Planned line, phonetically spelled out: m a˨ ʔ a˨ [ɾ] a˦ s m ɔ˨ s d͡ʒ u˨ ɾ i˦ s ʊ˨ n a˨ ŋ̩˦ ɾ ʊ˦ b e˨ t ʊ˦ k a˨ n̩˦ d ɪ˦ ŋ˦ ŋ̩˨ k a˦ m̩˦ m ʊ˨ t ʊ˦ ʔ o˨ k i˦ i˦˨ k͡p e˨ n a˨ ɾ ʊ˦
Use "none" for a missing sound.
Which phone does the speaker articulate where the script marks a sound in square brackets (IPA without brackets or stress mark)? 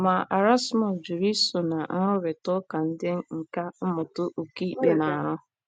ɾ